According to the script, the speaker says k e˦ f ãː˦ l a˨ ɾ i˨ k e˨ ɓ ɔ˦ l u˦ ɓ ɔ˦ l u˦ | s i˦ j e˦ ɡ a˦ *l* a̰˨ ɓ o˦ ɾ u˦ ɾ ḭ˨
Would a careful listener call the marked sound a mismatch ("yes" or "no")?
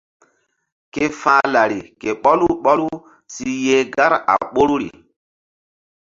yes